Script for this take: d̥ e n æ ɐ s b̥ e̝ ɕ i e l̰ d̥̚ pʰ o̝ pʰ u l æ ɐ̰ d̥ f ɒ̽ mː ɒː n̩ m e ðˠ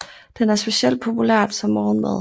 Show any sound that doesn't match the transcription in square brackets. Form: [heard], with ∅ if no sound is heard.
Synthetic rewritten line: d̥ e n æ ɐ s b̥ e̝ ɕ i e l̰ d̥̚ pʰ o̝ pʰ u l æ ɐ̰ d̥ [s] ɒ̽ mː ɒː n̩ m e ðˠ